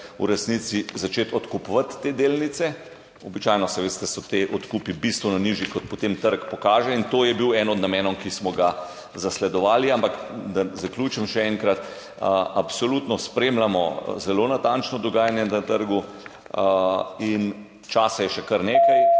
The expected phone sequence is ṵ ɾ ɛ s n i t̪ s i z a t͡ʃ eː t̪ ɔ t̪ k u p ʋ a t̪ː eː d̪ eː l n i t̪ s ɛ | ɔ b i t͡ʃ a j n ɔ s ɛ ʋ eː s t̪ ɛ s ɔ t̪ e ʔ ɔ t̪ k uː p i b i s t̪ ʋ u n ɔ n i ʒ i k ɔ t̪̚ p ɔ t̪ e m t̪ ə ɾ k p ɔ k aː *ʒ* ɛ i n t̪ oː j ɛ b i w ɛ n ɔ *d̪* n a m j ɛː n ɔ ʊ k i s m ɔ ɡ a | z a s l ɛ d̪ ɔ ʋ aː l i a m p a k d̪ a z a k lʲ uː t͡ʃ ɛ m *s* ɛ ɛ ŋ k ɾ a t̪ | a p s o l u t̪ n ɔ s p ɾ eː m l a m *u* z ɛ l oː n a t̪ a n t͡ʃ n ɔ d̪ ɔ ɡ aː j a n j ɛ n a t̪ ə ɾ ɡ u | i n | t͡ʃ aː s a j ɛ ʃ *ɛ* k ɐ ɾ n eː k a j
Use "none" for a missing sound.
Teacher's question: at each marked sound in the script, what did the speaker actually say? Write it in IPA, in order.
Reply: ʒ, d̪, ʃ, ɔ, ɛ

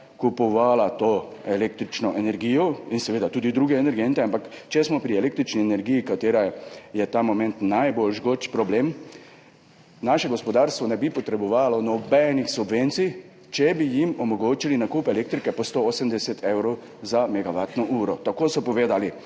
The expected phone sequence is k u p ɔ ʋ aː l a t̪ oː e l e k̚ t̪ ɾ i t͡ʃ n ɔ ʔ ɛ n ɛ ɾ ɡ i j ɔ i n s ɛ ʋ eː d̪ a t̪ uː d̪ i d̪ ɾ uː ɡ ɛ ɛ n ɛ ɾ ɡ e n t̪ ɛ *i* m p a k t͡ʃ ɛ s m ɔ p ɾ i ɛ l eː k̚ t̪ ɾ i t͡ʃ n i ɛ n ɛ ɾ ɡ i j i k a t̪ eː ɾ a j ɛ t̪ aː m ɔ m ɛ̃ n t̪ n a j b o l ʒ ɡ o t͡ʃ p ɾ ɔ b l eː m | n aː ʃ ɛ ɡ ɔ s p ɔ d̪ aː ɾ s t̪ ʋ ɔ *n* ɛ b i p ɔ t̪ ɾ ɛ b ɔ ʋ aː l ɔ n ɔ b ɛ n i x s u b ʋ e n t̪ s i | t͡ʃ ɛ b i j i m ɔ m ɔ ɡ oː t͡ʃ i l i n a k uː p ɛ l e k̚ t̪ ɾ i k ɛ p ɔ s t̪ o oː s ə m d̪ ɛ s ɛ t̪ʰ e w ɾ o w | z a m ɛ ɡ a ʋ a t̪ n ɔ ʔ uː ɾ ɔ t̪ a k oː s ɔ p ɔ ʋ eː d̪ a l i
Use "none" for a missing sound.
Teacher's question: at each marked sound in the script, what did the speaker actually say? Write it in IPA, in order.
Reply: a, n

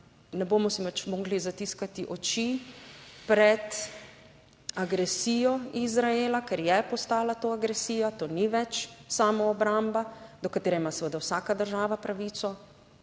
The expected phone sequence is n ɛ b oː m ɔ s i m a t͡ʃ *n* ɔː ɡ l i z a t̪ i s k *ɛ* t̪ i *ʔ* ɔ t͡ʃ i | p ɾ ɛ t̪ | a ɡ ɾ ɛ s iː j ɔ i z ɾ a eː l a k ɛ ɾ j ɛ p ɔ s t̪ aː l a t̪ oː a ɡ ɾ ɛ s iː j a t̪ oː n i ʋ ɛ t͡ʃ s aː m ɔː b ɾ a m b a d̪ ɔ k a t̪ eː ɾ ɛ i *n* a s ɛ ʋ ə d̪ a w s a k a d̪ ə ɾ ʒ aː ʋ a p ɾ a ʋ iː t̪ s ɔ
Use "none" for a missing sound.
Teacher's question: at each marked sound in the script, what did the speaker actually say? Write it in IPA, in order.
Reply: m, a, ʔ, m

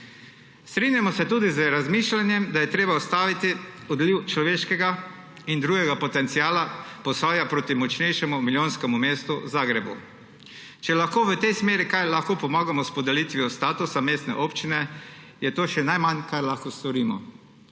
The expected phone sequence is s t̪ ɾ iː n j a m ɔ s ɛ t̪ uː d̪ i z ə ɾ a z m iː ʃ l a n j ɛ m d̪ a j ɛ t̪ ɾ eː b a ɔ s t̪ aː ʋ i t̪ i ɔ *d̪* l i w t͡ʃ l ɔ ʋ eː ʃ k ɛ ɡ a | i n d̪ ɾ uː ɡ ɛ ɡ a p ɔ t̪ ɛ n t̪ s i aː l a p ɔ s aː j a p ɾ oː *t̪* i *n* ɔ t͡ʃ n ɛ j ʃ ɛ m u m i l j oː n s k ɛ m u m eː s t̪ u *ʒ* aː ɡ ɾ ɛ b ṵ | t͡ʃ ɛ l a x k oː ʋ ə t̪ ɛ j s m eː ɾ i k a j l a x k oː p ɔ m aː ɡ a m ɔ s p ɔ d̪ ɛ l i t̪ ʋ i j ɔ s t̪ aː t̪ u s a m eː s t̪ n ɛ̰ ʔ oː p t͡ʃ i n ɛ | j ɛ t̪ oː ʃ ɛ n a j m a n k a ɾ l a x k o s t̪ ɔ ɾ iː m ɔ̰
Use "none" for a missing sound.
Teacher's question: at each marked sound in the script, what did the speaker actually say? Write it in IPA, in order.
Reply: d̪, t̪, m, z

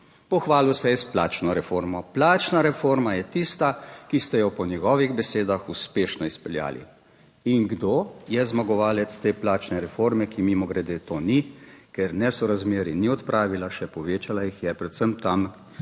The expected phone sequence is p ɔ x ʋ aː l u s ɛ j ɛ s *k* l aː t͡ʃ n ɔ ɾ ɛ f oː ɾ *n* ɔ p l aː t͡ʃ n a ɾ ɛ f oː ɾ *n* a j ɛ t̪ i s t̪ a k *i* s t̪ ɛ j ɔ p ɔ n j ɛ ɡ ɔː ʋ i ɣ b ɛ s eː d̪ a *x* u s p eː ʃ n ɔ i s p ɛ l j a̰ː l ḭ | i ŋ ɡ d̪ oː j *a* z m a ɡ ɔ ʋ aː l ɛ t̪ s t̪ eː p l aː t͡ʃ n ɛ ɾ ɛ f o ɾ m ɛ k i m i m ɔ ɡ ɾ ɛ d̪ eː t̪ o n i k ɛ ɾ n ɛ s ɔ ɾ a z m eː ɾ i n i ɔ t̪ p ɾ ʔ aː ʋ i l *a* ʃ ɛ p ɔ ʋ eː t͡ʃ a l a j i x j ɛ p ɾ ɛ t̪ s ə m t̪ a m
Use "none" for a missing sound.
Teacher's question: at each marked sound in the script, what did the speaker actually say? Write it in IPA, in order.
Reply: p, m, m, i, x, ɛ, a

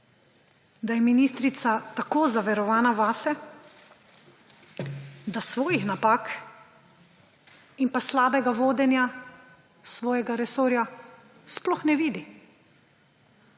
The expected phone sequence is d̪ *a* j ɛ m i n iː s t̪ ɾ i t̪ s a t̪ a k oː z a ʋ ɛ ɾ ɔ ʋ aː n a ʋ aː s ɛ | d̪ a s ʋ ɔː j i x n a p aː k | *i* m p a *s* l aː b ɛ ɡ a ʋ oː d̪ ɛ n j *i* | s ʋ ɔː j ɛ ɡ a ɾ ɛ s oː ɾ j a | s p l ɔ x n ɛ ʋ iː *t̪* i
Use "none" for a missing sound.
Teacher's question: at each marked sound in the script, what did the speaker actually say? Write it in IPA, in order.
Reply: a, i, s, a, d̪

